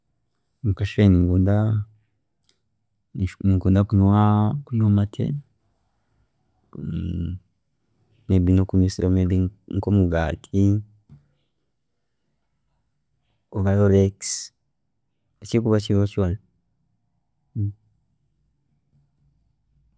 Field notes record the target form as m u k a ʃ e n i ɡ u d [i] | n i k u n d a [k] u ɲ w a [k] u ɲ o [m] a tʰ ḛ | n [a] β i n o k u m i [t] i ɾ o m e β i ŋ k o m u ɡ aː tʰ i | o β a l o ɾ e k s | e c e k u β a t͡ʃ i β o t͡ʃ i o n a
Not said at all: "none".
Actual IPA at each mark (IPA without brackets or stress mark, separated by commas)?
a, k, k, m, e, s